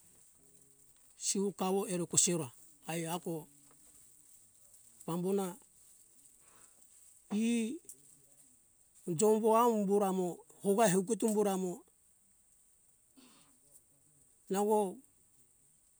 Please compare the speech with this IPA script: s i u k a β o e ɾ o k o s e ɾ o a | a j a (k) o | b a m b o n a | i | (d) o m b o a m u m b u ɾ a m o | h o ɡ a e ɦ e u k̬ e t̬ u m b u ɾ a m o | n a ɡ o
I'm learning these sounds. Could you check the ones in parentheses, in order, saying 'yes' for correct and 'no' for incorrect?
yes, no

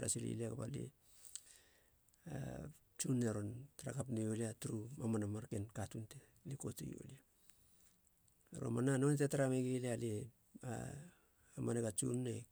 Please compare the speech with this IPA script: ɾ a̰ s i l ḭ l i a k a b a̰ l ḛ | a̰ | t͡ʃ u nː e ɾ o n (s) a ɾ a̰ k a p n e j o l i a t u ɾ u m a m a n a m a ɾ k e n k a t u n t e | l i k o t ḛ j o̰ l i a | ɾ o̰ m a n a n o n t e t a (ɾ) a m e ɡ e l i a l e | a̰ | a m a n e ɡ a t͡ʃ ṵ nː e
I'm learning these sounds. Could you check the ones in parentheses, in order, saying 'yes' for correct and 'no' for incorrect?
no, yes

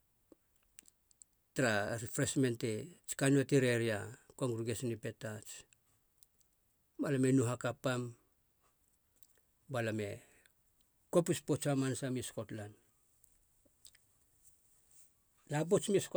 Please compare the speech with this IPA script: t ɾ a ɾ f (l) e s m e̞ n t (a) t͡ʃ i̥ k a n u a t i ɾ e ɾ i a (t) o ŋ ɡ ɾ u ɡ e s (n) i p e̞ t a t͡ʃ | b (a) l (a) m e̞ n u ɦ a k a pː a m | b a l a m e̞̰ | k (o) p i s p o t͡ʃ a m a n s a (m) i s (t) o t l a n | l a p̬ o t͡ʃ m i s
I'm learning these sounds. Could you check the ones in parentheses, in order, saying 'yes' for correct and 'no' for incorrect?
no, no, no, yes, yes, yes, yes, yes, no

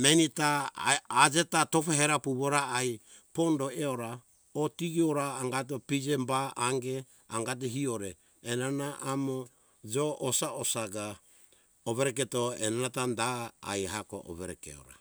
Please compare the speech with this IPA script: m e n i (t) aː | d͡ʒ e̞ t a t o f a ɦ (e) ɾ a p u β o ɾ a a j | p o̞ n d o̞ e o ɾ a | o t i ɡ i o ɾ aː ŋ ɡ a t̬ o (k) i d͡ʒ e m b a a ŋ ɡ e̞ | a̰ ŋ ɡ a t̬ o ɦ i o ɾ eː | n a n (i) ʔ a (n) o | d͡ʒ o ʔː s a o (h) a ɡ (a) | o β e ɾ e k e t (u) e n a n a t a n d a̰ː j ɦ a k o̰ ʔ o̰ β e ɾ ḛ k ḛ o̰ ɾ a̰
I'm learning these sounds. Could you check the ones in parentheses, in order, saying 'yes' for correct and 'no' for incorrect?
yes, yes, no, no, no, no, yes, no

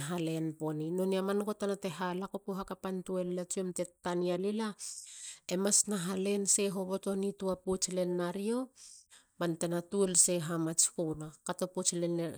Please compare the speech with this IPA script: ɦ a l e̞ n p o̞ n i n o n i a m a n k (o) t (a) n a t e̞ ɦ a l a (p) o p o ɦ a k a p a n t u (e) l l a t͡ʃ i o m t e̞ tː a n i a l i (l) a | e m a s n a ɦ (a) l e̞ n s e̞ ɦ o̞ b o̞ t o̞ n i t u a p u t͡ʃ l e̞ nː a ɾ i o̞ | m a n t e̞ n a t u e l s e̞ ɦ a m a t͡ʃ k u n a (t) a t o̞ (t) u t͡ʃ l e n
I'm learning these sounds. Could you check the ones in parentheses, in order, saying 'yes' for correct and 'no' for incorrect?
yes, yes, no, yes, yes, yes, no, no

